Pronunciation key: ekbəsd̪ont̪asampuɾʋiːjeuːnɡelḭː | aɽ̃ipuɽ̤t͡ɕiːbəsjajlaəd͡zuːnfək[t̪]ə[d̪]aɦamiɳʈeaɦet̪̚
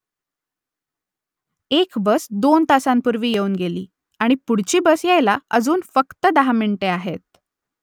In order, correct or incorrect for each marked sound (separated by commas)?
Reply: correct, correct